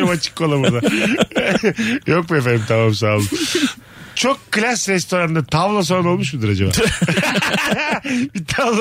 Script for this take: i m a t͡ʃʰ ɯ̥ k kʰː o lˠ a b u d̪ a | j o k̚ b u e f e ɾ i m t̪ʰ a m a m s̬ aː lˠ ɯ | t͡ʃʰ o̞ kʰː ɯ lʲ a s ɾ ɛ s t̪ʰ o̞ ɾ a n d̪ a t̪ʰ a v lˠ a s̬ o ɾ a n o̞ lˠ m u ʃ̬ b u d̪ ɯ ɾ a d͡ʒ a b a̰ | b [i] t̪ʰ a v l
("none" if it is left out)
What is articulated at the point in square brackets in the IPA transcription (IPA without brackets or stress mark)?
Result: i